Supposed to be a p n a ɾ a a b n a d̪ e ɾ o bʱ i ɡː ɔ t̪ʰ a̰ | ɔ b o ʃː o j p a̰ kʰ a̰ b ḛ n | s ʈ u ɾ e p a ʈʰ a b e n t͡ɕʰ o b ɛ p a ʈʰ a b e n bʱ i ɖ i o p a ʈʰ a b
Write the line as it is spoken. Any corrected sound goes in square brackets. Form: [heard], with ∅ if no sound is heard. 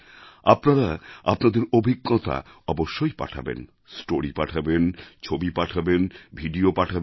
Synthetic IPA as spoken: a p n a ɾ a a [p] n a d̪ e ɾ o bʱ i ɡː ɔ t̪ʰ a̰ | ɔ b o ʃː o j p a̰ [ʈʰ] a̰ b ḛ n | s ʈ [o] ɾ [i] p a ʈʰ a b e n t͡ɕʰ o b [i] p a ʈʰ a b e n bʱ i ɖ i o p a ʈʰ a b

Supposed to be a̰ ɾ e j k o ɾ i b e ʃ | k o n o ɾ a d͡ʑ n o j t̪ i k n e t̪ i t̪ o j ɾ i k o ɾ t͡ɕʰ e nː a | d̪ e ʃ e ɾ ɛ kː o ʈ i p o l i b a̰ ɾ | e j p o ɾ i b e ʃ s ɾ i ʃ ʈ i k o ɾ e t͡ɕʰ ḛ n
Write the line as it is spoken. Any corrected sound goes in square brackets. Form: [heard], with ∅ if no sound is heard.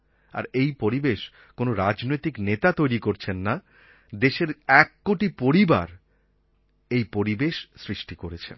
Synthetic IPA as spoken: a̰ ɾ e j [p] o ɾ i b e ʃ | k o n o ɾ a d͡ʑ n o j t̪ i k n e t̪ [a] t̪ o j ɾ i k o ɾ t͡ɕʰ e nː a | d̪ e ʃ e ɾ ɛ kː o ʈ i p o [ɾ] i b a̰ ɾ | e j p o ɾ i b e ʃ s ɾ i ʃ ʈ i k o ɾ e t͡ɕʰ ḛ n

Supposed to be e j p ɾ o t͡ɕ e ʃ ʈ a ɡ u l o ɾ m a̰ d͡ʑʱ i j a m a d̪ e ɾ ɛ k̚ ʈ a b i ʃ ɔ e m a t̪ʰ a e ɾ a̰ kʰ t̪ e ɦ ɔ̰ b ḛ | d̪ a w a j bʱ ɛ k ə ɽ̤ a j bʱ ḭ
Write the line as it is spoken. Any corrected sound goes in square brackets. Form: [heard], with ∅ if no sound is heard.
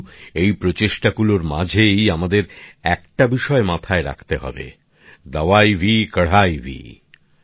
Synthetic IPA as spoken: e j p ɾ o t͡ɕ e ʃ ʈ a ɡ u l o ɾ m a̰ d͡ʑʱ [e] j a m a d̪ e ɾ ɛ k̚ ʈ a b i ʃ ɔ e m a t̪ʰ a e ɾ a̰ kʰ t̪ e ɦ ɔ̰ b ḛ | d̪ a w a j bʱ [i] k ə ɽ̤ a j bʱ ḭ

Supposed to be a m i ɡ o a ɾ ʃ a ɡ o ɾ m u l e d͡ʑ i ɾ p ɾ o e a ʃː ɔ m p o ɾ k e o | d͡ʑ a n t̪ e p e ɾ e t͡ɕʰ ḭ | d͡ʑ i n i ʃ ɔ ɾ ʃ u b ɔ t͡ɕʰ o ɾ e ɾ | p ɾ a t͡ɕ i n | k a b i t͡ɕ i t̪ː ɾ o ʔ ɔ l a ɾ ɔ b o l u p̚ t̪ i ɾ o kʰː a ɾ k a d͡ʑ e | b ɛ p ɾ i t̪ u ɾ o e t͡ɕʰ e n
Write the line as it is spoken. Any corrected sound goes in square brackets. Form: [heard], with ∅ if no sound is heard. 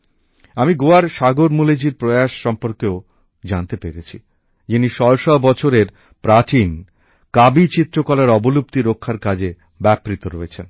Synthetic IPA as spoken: a m i ɡ o a ɾ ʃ a ɡ o ɾ m u l e d͡ʑ i ɾ p ɾ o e a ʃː ɔ m p o ɾ k e o | d͡ʑ a n t̪ e p e ɾ e t͡ɕʰ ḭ | d͡ʑ i n i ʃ ɔ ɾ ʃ [ɔ] b ɔ t͡ɕʰ o ɾ e ɾ | p ɾ a t͡ɕ i n | k a b i t͡ɕ i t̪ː ɾ o [k] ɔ l a ɾ ɔ b o l u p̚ t̪ i ɾ o kʰː a ɾ k a d͡ʑ e | b ɛ p ɾ i t̪ [o] ɾ o e t͡ɕʰ e n

